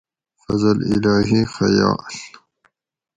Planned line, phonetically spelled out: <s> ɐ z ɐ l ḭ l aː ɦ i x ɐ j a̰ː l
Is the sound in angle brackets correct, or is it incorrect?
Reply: incorrect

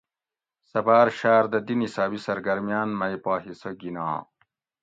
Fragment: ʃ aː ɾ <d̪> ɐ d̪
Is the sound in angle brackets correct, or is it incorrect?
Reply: correct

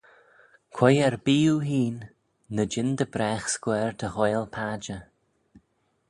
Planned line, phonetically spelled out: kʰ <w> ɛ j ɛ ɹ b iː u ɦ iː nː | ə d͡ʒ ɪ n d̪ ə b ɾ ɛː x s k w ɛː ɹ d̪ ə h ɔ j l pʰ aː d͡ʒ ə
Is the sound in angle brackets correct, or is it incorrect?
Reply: correct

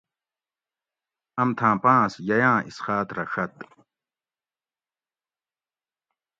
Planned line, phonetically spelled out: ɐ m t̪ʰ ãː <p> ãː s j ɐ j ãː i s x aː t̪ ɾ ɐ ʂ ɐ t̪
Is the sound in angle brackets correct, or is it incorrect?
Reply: correct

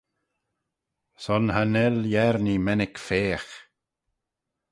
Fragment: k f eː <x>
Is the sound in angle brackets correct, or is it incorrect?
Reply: correct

